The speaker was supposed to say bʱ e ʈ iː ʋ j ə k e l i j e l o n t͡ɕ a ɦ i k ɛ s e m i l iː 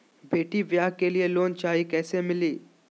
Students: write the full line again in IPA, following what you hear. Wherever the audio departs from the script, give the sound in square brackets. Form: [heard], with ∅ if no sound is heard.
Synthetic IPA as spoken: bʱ e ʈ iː ʋ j [a] k e l i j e l o n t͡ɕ a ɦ i k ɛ s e m i l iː